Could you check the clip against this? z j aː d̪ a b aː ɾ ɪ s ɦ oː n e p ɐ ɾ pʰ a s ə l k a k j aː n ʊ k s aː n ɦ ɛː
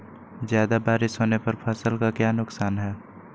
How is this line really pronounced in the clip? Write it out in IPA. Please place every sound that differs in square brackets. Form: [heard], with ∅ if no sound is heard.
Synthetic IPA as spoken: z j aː d̪ a b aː ɾ ɪ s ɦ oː n e p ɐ ɾ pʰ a s ə l k a k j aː n ʊ k s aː n ɦ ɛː